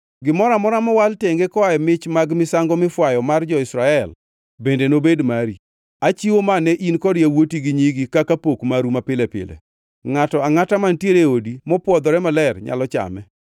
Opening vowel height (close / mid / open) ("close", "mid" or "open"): close